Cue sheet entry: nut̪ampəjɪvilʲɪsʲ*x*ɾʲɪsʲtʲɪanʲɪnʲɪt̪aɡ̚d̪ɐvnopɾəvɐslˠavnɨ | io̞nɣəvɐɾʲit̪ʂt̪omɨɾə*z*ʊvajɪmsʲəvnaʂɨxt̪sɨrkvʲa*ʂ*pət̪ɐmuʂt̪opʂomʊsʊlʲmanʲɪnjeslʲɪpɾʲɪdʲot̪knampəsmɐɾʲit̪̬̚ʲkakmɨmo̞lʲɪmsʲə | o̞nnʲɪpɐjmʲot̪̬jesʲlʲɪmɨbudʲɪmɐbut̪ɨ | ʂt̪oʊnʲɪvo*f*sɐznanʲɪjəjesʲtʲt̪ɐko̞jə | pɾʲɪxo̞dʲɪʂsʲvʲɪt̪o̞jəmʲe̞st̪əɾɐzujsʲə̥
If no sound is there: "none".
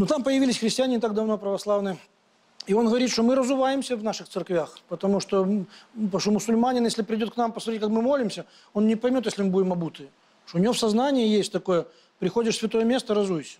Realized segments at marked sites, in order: x, z, x, f

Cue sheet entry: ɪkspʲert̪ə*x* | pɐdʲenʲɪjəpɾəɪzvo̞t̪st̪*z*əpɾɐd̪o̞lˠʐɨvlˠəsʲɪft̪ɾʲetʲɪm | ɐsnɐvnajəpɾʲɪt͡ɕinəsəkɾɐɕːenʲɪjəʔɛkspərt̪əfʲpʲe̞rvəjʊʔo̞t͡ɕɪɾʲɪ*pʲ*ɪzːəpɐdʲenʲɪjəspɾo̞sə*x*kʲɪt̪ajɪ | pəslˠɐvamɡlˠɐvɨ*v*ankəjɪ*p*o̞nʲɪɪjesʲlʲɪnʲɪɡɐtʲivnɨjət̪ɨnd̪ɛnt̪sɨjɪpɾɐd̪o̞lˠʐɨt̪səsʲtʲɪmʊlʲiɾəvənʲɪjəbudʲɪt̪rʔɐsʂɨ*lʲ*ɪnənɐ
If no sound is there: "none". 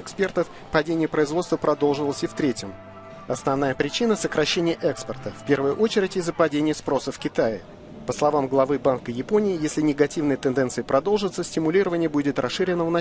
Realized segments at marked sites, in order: f, v, tʲ, f, b, p, ɾʲ

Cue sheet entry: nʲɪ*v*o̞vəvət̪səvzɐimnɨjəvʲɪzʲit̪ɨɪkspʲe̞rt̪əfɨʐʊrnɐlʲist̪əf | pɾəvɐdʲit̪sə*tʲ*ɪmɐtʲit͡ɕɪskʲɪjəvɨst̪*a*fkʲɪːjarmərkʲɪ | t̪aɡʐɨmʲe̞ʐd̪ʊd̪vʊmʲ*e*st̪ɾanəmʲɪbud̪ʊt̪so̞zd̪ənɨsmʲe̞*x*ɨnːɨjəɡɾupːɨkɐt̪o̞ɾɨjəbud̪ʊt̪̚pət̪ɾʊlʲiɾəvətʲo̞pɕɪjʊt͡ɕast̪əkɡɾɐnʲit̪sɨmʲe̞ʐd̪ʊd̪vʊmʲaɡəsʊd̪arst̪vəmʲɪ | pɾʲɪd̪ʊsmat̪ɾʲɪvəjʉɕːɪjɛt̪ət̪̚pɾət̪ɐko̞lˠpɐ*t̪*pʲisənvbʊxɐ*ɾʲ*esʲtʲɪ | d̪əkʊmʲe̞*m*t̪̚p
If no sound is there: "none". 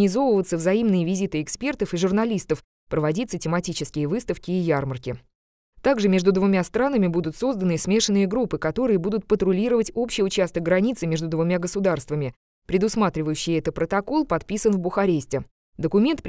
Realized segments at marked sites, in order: z, tʲ, ə, a, ʂ, t̪, ɾʲ, n

